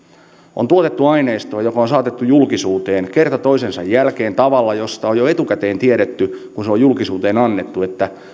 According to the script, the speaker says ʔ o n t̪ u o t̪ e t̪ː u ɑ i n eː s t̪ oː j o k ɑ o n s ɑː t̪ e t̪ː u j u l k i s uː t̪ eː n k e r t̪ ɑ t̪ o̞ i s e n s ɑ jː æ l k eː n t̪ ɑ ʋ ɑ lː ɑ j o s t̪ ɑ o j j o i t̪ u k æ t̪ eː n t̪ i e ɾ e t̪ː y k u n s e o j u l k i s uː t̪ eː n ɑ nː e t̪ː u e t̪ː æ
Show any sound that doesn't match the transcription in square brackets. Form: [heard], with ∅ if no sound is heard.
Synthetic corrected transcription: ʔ o n t̪ u o t̪ e t̪ː u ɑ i n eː s t̪ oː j o k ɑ o n s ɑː t̪ e t̪ː u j u l k i s uː t̪ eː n k e r t̪ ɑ t̪ o̞ i s e n s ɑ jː æ l k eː n t̪ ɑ ʋ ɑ lː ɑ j o s t̪ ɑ o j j o [e] t̪ u k æ t̪ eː n t̪ i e ɾ e t̪ː y k u n s e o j u l k i s uː t̪ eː n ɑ nː e t̪ː u e t̪ː æ